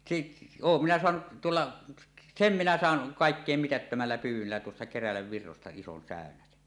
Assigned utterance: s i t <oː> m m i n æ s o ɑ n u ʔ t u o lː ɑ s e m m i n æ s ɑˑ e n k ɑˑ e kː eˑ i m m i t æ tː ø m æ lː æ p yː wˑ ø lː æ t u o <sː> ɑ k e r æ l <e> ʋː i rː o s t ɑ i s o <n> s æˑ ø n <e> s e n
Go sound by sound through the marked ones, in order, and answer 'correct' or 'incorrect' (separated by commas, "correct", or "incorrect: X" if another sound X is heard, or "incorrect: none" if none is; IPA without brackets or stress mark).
correct, correct, incorrect: æ, correct, incorrect: æ